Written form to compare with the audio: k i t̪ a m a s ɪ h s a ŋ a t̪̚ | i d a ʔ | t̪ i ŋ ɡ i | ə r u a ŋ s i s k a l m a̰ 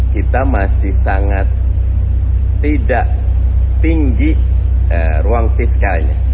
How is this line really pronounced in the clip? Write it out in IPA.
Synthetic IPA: k i t̪ a m a s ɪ h s a ŋ a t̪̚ | i d a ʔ | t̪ i ŋ ɡ i | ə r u a ŋ f i s k a l ɲ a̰